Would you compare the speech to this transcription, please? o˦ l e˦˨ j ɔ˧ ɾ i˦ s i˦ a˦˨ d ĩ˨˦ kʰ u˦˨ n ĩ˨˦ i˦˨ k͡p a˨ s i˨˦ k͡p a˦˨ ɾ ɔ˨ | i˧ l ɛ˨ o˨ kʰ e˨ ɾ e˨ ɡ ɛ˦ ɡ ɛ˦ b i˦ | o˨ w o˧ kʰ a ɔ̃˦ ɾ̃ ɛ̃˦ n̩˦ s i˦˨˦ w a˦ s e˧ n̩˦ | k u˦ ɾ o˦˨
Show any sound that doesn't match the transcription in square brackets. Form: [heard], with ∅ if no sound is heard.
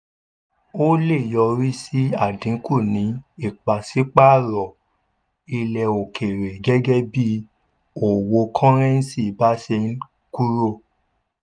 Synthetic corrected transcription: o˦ l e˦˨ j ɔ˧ ɾ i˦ s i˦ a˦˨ d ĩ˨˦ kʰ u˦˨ n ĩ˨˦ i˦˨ k͡p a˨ s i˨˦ k͡p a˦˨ ɾ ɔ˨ | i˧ l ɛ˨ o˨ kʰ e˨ ɾ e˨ ɡ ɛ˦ ɡ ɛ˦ b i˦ | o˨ w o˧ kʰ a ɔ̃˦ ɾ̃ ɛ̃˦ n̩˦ s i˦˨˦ [b] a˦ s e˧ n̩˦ | k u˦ ɾ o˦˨